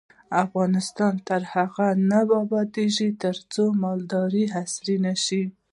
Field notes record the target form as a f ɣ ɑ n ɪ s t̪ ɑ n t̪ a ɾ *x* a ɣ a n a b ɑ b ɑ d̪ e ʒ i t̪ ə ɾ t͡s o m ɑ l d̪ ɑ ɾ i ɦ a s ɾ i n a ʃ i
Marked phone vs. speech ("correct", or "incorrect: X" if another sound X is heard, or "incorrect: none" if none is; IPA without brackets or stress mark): incorrect: h